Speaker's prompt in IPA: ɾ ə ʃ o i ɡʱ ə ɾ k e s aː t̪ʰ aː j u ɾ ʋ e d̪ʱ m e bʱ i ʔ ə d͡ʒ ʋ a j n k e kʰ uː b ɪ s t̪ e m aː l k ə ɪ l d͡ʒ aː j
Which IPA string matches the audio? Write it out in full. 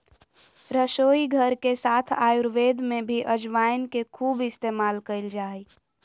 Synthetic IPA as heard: ɾ ə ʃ o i ɡʱ ə ɾ k e s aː t̪ʰ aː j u ɾ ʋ e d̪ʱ m e bʱ i ʔ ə d͡ʒ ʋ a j n k e kʰ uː b ɪ s t̪ e m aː l k ə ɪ l d͡ʒ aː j